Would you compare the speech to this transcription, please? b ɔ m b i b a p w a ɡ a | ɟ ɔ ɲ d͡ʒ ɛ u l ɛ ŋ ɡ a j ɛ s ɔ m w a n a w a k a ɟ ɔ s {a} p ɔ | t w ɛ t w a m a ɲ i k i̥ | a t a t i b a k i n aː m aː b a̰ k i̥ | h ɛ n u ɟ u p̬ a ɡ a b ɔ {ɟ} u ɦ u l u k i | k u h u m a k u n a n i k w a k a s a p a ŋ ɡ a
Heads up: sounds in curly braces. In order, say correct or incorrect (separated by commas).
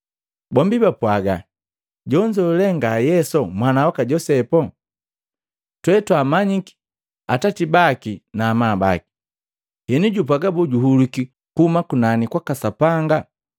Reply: incorrect, correct